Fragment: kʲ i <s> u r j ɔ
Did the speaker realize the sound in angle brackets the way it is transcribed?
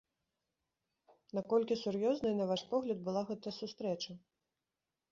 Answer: yes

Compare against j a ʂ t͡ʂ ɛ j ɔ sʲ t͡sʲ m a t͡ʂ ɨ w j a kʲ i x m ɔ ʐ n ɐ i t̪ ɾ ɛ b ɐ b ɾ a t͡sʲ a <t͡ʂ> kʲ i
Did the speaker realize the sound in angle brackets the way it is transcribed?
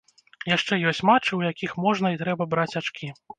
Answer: yes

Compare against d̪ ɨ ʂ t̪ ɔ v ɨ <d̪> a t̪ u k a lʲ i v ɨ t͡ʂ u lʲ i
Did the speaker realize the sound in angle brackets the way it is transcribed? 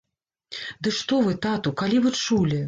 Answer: no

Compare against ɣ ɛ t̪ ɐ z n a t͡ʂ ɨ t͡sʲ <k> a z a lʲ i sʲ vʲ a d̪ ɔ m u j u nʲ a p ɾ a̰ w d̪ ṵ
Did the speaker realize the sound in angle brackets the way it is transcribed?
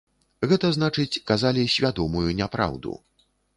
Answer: yes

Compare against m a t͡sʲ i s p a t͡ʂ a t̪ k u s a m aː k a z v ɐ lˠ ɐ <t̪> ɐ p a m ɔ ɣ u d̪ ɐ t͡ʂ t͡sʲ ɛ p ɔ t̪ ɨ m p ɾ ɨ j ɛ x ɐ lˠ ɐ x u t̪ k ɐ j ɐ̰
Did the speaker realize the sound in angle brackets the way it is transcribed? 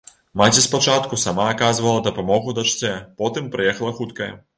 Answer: no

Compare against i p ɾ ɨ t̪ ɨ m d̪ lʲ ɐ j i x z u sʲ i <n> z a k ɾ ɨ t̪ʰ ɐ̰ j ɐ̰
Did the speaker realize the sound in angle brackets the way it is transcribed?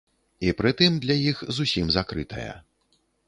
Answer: no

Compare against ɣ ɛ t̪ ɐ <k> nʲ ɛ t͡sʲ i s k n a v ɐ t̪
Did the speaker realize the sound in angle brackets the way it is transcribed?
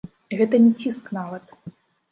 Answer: no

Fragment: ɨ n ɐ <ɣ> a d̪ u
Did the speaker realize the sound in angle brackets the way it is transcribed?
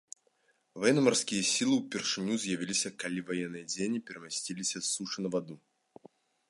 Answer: no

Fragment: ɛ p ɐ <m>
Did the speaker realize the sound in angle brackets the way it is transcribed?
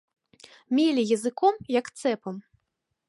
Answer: yes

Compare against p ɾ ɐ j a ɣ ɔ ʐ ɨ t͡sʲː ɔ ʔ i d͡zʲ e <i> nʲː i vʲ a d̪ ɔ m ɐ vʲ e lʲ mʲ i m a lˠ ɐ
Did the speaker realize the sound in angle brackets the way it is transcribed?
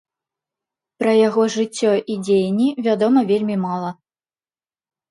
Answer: no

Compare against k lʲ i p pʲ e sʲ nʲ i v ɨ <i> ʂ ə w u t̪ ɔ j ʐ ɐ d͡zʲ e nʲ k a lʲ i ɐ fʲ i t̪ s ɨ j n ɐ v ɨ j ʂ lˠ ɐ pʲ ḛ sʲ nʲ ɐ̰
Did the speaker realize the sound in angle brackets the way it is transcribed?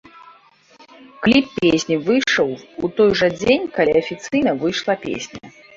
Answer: no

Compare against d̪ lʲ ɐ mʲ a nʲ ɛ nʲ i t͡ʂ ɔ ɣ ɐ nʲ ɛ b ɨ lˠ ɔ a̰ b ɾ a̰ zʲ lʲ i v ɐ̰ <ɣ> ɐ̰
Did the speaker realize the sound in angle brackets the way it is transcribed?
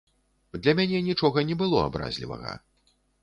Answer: yes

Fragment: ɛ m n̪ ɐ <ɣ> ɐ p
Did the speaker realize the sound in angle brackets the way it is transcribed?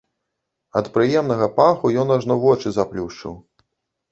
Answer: yes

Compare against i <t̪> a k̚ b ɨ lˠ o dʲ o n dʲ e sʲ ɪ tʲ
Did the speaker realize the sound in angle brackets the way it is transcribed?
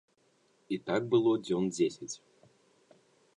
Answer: yes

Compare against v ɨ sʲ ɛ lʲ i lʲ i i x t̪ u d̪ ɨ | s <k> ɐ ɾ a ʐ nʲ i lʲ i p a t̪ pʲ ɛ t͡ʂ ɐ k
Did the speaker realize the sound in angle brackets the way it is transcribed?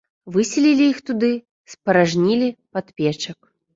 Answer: no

